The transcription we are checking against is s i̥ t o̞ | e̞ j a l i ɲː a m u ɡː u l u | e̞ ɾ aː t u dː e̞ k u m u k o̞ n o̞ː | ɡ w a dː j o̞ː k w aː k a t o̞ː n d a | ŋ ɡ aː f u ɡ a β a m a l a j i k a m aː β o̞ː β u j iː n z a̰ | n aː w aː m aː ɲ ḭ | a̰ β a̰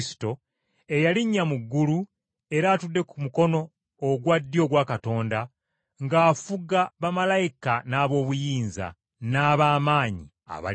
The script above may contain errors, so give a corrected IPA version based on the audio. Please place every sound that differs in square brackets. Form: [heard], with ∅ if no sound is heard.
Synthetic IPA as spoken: s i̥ t o̞ | e̞ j a l i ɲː a m u ɡː u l u | e̞ ɾ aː t u dː e̞ k u m u k o̞ n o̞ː | ɡ w a dː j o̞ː [ɡ] w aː k a t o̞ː n d a | ŋ ɡ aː f u ɡ a β a m a l a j i k a [n] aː β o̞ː β u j iː n z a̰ | n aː [β] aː m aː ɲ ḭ | a̰ β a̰